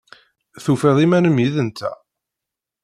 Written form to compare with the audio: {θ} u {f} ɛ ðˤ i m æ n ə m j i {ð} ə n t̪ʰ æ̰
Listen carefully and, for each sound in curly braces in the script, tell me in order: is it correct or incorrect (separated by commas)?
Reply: correct, correct, correct